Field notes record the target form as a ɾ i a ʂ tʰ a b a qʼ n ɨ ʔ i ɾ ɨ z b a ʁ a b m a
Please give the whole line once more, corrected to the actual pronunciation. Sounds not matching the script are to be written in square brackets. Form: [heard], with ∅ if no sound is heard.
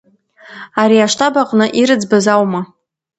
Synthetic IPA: a ɾ i a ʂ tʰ a b a qʼ n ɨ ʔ i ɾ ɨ [d͡z] b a [z] a [w] m a